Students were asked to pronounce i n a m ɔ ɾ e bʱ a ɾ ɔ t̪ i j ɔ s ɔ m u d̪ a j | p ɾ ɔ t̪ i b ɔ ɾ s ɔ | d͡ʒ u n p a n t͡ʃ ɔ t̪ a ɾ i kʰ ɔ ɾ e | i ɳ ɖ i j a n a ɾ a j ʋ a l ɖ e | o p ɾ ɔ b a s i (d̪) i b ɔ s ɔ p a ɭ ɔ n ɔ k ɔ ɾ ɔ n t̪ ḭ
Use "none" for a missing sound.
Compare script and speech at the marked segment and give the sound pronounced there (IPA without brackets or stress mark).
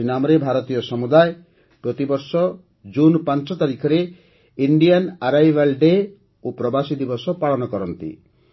d̪